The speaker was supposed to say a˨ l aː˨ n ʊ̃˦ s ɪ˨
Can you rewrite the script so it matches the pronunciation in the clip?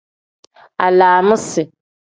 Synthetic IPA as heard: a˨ l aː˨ m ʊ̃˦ s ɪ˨